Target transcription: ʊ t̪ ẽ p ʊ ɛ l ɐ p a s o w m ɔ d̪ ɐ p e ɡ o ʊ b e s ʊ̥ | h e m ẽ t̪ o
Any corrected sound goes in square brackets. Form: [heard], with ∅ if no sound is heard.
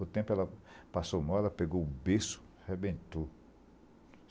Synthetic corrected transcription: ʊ t̪ ẽ p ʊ ɛ l ɐ p a s o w m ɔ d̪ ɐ p e ɡ o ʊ b e s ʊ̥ | h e [b] ẽ t̪ o